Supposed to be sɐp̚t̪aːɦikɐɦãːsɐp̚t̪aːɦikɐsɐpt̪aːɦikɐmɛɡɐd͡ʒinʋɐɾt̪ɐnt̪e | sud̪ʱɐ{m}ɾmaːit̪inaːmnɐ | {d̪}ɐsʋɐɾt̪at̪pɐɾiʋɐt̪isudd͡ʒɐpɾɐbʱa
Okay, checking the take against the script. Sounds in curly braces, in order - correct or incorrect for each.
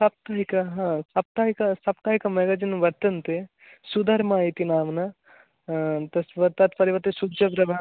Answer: incorrect, incorrect

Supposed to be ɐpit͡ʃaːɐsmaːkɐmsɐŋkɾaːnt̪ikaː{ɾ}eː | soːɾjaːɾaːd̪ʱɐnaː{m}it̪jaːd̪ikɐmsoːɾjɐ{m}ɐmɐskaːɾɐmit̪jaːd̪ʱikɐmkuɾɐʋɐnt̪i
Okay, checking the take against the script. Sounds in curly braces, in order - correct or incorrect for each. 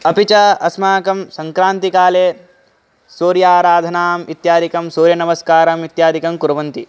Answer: incorrect, correct, incorrect

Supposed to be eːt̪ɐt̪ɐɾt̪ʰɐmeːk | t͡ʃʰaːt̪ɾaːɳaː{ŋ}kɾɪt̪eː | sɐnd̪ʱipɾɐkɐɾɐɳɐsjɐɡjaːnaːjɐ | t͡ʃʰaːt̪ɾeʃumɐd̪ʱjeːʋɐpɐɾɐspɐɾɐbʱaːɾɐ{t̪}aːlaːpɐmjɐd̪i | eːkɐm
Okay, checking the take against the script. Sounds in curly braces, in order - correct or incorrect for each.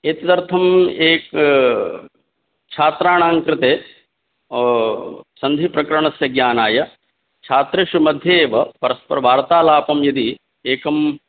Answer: correct, correct

